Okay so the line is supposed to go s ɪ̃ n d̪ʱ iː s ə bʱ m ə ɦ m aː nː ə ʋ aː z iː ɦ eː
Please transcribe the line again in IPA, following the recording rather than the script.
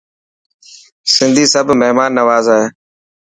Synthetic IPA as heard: s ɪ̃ n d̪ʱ iː s ə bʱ m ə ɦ m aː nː ə ʋ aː z aː ɦ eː

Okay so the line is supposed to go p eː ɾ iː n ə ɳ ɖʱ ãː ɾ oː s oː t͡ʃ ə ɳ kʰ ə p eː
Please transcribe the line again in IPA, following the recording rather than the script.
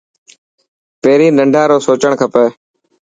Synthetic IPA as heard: p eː ɾ iː n ə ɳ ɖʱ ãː ɾ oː s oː t͡ʃ ə ɳ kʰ ə p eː

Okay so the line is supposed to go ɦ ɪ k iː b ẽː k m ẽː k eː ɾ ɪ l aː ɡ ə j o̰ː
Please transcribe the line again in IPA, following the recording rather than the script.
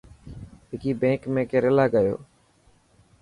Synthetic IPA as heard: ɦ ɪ k iː b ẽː k m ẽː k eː ɾ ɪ l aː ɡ ə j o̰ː

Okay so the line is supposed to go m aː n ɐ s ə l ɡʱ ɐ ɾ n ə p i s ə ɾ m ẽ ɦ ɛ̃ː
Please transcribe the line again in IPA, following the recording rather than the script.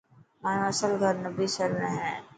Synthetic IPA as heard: m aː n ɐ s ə l ɡʱ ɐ ɾ n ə b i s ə ɾ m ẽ ɦ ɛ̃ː

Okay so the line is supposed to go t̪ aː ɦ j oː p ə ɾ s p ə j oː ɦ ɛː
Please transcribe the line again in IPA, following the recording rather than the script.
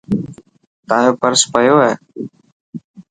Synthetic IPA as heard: t̪ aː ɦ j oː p ə ɾ s p ə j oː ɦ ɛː

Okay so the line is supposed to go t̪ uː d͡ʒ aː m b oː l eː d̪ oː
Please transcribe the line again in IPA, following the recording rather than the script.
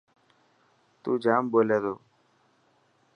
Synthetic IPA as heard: t̪ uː d͡ʒ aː m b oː l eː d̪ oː

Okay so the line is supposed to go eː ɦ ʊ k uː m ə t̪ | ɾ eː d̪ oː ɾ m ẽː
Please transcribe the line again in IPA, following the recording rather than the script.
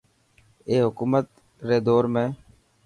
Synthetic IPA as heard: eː ɦ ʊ k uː m ə t̪ | ɾ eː d̪ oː ɾ m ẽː

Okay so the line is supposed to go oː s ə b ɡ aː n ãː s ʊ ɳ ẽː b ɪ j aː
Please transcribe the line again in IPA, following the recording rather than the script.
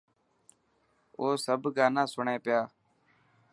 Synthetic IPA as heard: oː s ə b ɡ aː n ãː s ʊ ɳ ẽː p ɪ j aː

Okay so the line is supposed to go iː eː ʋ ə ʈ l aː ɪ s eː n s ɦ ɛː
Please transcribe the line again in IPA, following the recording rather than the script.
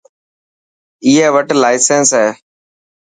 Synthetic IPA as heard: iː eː ʋ ə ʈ l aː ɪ s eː n s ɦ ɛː

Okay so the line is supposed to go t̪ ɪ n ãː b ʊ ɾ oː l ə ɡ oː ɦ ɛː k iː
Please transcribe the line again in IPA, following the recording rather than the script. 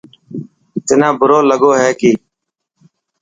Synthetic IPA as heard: t̪ ɪ n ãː b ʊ ɾ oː l ə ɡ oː ɦ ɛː k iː

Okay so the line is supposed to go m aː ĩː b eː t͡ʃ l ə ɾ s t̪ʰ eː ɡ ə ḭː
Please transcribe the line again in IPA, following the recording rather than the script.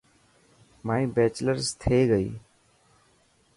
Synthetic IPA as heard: m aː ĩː b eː t͡ʃ l ə ɾ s t̪ʰ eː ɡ ə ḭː

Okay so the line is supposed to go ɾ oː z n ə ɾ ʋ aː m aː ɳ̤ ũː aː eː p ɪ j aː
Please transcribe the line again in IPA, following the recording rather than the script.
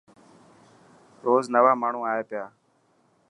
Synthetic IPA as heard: ɾ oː z n ə ʋ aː m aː ɳ̤ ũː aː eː p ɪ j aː

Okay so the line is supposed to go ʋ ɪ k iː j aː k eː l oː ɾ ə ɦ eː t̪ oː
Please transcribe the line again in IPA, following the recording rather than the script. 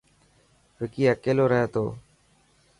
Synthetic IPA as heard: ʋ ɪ k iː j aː k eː l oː ɾ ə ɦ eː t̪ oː

